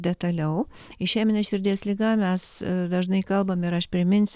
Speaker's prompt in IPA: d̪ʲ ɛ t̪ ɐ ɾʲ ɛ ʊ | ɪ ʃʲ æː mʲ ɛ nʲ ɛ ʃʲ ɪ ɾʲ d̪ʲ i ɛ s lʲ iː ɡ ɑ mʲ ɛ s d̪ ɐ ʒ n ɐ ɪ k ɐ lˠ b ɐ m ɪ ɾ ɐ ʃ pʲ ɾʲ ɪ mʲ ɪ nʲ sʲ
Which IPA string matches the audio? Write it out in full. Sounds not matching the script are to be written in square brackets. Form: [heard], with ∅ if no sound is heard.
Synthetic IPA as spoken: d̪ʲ ɛ t̪ ɐ [lʲ] ɛ ʊ | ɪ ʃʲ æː mʲ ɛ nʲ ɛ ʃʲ ɪ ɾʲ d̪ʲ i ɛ s lʲ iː ɡ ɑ mʲ ɛ s d̪ ɐ ʒ n ɐ ɪ k ɐ lˠ b ɐ m ɪ ɾ ɐ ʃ pʲ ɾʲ ɪ mʲ ɪ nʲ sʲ